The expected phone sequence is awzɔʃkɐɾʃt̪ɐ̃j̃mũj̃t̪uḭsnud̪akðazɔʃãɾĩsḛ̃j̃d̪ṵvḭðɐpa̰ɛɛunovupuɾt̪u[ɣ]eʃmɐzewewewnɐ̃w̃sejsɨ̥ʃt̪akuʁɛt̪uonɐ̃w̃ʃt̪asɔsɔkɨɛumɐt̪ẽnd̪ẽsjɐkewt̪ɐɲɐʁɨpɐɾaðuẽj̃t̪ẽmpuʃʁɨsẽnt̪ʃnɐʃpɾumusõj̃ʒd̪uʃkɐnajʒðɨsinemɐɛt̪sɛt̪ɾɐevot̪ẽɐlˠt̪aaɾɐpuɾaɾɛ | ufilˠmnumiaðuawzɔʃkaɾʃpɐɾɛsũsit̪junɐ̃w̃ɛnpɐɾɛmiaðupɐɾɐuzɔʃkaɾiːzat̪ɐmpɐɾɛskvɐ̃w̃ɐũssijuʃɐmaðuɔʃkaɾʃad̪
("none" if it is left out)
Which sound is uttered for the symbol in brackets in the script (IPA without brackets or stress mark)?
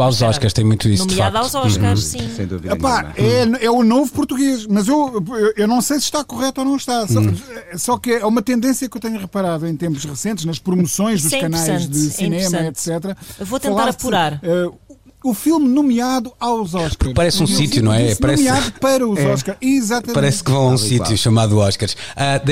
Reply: ɣ